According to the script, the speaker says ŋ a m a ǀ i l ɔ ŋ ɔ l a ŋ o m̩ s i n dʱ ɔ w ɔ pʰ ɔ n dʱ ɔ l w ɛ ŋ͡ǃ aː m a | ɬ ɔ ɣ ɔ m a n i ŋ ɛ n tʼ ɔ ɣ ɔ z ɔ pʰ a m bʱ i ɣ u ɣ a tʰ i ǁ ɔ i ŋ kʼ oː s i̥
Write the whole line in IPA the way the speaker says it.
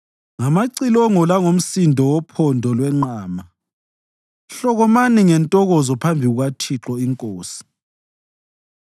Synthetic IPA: ŋ a m a ǀ i l ɔ ŋ ɔ l a ŋ o m̩ s i n dʱ ɔ w ɔ pʰ ɔ n dʱ ɔ l w ɛ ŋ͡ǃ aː m a | ɬ ɔ ɣ ɔ m a n i ŋ ɛ n tʼ ɔ ɣ ɔ z ɔ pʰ a m bʱ i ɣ u ɣ a tʰ i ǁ ɔ i ŋ kʼ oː s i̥